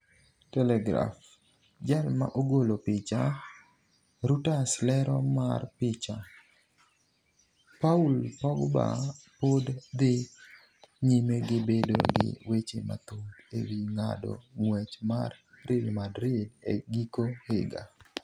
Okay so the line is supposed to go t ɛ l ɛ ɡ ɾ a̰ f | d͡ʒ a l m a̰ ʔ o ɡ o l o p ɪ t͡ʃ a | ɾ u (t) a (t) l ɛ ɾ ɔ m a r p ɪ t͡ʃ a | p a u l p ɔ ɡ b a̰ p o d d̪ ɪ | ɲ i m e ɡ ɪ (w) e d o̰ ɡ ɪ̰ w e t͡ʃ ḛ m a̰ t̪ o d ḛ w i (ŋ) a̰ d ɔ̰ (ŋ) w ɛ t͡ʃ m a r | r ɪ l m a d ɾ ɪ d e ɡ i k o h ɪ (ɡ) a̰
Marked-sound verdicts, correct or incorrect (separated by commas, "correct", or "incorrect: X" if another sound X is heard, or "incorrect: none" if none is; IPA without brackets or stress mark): correct, incorrect: s, incorrect: b, correct, correct, correct